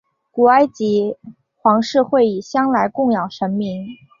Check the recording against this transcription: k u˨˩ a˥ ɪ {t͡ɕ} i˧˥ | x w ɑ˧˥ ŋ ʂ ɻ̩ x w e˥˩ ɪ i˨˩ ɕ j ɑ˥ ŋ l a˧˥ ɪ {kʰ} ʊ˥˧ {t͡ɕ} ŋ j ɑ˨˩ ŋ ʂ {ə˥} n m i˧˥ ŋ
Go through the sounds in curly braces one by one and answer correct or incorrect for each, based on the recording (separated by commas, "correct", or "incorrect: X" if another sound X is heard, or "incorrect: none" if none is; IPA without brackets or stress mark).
correct, incorrect: k, incorrect: none, incorrect: ə˧˥